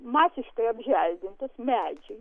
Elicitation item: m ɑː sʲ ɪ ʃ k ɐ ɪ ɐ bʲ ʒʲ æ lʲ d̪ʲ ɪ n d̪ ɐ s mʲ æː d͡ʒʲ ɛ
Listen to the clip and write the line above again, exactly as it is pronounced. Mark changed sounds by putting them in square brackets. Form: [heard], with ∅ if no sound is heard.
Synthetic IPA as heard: m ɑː sʲ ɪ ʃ k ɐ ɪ ɐ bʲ ʒʲ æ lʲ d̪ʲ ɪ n [t̪] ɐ s mʲ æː d͡ʒʲ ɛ